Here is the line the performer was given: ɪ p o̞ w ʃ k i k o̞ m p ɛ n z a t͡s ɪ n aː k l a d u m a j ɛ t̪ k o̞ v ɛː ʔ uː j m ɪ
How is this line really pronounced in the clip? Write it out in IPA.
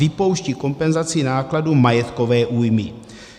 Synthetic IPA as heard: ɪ p o̞ w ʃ c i k o̞ m p ɛ n z a t͡s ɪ n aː k l a d u m a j ɛ t̪ k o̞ v ɛː ʔ uː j m ɪ